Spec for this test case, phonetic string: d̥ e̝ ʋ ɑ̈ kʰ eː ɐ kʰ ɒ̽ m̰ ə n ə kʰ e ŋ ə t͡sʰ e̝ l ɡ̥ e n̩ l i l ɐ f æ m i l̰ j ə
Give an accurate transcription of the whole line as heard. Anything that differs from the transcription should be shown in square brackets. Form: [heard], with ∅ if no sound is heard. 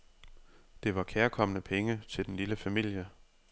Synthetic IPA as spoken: d̥ e̝ ʋ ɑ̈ kʰ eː ɐ kʰ ɒ̽ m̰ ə n ə [pʰ] e ŋ ə t͡sʰ e̝ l [d̥] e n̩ l i l [ə] f æ m i l̰ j ə